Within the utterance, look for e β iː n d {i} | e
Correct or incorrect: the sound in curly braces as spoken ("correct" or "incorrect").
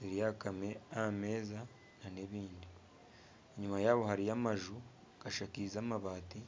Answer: correct